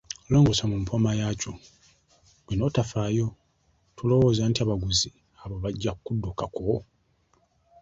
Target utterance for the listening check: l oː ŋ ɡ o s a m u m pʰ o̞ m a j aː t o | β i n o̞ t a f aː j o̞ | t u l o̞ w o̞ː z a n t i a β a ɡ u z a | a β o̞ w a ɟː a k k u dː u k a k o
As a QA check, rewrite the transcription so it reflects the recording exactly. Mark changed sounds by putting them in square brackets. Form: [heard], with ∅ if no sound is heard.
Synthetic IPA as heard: l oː ŋ ɡ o s a m u m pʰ o̞ m a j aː [c] o | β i n o̞ t a f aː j o̞ | t u l o̞ w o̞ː z a n t i a β a ɡ u z [i] | a β o̞ [β] a ɟː a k k u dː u k a k o